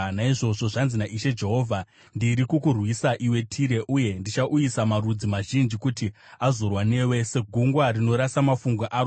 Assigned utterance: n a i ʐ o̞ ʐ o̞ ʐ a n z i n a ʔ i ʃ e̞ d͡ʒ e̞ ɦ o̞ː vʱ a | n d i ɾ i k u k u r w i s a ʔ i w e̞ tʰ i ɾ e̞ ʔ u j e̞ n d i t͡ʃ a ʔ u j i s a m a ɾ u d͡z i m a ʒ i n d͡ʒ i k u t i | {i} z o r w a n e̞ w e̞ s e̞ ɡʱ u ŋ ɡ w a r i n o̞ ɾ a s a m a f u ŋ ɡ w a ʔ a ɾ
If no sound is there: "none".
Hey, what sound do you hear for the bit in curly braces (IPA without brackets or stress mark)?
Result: a